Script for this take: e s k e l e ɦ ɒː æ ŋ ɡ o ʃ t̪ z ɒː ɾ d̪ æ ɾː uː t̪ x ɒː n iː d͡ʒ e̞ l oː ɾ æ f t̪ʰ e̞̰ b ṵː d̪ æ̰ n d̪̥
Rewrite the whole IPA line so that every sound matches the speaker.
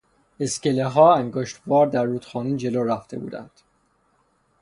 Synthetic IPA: e s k e l e ɦ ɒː æ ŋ ɡ o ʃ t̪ v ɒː ɾ d̪ æ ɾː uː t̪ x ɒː n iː d͡ʒ e̞ l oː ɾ æ f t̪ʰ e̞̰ b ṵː d̪ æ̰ n d̪̥